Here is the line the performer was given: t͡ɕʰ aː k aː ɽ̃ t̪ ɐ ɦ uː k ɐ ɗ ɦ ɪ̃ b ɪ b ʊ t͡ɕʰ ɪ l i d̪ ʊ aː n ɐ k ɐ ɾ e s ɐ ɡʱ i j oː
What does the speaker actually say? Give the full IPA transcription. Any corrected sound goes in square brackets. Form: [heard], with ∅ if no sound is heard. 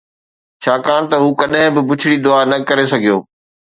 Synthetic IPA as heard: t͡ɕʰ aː k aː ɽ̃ t̪ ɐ ɦ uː k ɐ ɗ ɦ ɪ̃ b ɪ b ʊ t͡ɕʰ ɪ [ɽ] i d̪ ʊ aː n ɐ k ɐ ɾ e s ɐ ɡʱ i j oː